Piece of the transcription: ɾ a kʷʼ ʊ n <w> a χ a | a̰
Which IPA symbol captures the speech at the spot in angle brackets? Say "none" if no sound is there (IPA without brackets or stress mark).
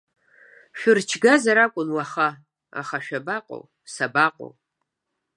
w